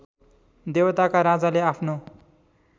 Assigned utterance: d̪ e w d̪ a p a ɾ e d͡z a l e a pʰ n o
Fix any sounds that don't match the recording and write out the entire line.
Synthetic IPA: d̪ e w t̪ a k a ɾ a d͡z a l e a pʰ n o